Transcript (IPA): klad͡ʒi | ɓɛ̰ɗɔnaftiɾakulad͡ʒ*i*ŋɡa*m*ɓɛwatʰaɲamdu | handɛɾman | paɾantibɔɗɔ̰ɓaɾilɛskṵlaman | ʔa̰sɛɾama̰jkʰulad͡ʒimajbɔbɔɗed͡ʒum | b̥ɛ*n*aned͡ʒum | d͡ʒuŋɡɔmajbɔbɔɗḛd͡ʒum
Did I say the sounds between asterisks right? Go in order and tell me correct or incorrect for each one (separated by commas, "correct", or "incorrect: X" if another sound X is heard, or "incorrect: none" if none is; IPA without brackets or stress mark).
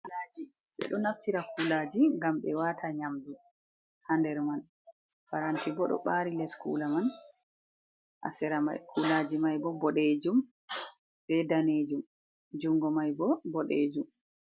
correct, correct, incorrect: d